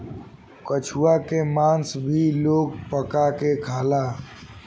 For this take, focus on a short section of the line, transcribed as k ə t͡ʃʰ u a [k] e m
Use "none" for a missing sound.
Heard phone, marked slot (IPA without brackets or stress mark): k